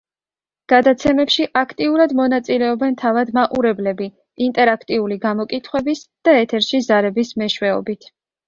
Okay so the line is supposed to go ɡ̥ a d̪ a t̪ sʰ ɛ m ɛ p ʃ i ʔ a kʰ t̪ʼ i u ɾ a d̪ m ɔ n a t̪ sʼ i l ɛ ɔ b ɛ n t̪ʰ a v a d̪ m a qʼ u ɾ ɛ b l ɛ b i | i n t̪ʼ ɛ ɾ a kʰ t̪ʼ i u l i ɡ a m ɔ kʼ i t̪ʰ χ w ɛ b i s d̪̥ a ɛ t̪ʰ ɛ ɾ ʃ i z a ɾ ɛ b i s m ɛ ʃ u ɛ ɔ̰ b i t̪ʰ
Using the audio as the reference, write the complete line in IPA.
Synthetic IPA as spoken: ɡ̥ a d̪ a t̪ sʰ ɛ m ɛ p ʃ i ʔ a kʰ t̪ʼ i u ɾ a d̪ m ɔ n a t̪ sʼ i l ɛ ɔ b ɛ n t̪ʰ a v a d̪ m a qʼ u ɾ ɛ b l ɛ b i | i n t̪ʼ ɛ ɾ a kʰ t̪ʼ i u l i ɡ a m ɔ kʼ i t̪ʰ χ w ɛ b i s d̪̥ a ɛ t̪ʰ ɛ ɾ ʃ i z a ɾ ɛ b i s m ɛ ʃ w ɛ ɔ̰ b i t̪ʰ